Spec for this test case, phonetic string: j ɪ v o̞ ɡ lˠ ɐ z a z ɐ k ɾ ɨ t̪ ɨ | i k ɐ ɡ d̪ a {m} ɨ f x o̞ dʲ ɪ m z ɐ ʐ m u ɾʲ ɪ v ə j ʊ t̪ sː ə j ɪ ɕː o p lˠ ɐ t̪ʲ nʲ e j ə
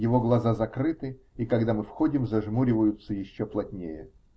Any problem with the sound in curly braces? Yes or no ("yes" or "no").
no